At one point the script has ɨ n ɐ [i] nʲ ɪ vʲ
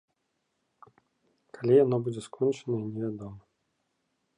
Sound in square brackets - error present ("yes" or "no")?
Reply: no